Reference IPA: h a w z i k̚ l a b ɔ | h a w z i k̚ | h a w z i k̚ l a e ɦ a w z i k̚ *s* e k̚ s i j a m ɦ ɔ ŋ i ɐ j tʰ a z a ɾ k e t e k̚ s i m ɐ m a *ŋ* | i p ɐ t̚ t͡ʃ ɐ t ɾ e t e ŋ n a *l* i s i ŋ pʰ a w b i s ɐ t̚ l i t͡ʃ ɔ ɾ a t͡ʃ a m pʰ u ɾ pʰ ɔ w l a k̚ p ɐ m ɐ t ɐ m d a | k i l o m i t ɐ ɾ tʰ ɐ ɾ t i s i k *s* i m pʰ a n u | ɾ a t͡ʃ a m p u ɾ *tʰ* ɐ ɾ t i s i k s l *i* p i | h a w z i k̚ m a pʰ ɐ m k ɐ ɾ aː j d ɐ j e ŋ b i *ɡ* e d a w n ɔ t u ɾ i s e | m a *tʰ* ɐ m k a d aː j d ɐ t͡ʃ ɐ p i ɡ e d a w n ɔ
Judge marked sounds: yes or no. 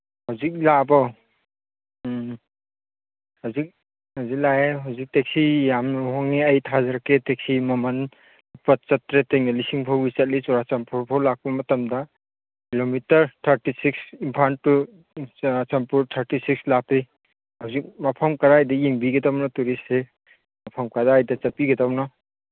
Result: no, no, yes, yes, yes, no, yes, no

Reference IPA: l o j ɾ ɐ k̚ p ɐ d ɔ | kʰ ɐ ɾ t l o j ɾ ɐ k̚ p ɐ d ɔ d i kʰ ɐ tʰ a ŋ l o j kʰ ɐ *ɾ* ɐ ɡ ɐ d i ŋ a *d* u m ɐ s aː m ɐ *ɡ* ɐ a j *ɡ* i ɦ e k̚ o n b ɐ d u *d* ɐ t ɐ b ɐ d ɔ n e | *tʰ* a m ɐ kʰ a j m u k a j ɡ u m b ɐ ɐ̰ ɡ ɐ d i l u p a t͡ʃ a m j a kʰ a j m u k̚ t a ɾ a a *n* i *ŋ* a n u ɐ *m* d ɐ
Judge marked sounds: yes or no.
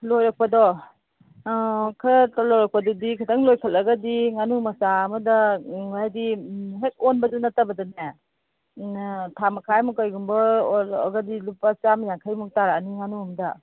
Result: no, no, no, no, no, yes, yes, yes, yes

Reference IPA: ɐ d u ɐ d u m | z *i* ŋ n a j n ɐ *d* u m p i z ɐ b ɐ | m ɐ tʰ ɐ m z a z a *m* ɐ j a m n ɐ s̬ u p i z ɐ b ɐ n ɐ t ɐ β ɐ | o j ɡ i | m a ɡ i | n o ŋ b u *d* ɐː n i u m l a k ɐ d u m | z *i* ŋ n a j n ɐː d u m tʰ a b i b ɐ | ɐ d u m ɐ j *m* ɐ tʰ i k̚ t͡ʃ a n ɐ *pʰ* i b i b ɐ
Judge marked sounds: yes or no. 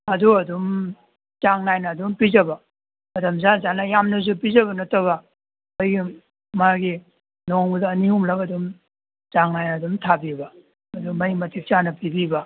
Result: no, yes, no, yes, no, yes, no

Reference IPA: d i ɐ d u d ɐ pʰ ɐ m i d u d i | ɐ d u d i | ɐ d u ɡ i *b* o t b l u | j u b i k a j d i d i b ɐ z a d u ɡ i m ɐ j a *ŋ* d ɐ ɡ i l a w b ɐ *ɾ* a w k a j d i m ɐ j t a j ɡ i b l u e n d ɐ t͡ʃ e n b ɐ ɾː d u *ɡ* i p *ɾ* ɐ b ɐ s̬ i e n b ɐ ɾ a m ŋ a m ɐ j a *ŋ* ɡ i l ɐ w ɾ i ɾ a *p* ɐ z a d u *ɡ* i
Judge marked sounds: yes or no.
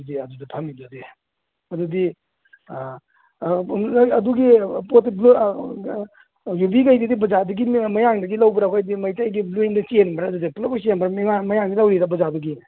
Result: no, yes, yes, no, no, yes, no, yes

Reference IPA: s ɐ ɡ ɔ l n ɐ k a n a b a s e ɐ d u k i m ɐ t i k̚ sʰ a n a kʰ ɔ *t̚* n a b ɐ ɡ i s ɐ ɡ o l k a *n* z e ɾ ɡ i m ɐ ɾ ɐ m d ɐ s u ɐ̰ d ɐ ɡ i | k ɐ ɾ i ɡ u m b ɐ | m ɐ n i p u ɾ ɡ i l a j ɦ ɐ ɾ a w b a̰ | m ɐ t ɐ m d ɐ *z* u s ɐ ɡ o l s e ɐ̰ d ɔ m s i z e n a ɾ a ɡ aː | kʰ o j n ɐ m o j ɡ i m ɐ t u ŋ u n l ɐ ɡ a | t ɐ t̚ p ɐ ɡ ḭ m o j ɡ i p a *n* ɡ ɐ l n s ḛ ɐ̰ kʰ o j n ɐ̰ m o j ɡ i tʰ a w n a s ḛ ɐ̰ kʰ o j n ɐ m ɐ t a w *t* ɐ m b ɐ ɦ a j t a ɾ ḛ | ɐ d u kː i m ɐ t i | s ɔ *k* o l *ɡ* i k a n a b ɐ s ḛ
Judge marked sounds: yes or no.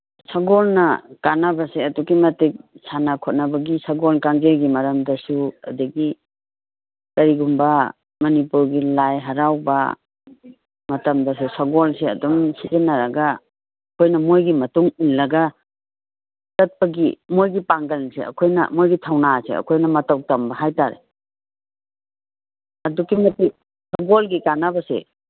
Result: yes, no, no, no, yes, no, yes

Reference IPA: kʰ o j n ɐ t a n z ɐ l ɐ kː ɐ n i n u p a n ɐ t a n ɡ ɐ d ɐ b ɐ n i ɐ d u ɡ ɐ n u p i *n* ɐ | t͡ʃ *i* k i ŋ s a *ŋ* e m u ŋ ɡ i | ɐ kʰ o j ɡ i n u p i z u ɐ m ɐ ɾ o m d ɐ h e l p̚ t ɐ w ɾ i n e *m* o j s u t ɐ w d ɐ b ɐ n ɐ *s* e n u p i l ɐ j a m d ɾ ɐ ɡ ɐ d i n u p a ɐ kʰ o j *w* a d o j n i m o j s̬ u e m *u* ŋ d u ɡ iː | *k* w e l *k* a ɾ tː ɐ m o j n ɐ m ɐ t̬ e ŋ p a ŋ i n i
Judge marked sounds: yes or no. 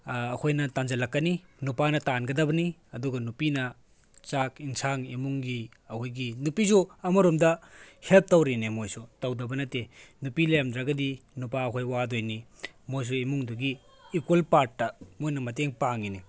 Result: yes, no, yes, yes, no, yes, yes, yes, no

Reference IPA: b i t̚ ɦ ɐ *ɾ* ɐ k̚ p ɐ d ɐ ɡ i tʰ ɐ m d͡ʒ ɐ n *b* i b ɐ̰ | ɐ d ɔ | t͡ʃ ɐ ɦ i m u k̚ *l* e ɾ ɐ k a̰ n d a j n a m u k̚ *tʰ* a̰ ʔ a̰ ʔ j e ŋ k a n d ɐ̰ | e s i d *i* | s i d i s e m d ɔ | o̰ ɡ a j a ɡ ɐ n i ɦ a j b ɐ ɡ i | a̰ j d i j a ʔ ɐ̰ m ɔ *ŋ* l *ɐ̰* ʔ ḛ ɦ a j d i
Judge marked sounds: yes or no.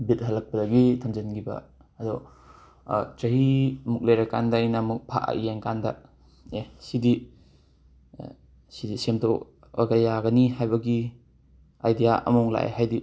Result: no, no, yes, no, yes, yes, no

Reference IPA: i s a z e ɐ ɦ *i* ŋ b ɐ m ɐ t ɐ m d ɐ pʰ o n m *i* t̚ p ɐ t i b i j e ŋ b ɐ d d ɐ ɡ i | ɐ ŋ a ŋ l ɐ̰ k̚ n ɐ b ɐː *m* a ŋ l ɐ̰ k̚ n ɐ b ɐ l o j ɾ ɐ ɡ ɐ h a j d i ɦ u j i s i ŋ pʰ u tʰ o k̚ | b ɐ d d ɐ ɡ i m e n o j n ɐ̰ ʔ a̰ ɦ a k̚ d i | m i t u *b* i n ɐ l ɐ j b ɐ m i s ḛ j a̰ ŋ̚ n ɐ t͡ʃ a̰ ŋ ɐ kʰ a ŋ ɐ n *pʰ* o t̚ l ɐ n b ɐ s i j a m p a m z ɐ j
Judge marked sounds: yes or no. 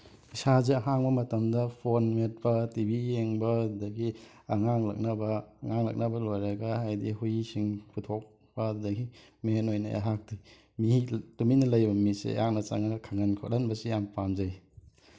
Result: no, no, no, no, no

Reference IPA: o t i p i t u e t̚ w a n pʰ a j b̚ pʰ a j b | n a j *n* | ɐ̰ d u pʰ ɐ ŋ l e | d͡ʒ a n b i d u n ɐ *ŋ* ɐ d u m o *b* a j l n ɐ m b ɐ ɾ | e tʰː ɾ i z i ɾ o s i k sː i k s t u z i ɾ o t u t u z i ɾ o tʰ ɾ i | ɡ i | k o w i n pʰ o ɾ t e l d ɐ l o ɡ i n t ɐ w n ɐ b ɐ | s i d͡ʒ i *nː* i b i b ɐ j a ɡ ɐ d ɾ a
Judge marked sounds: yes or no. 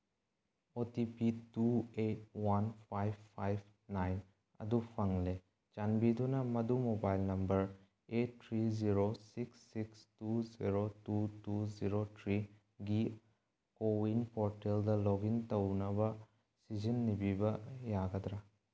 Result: yes, no, yes, yes

